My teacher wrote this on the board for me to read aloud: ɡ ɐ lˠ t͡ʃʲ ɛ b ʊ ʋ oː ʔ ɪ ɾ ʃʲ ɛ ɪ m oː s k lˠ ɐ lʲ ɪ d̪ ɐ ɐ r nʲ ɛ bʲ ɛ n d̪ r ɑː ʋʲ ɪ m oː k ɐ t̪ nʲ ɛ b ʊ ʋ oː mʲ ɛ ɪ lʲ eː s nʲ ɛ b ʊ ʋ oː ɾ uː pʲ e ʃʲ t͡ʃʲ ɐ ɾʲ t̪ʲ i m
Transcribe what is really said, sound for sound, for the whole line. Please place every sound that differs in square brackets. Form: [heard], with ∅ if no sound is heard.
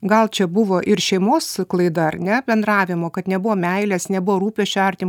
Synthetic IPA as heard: ɡ ɐ lˠ t͡ʃʲ ɛ b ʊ ʋ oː ʔ ɪ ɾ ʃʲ ɛ ɪ m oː s k lˠ ɐ [∅] ɪ d̪ ɐ ɐ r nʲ ɛ bʲ ɛ n d̪ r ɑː ʋʲ ɪ m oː k ɐ t̪ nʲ ɛ b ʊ ʋ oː mʲ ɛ ɪ lʲ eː s nʲ ɛ b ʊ ʋ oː ɾ uː pʲ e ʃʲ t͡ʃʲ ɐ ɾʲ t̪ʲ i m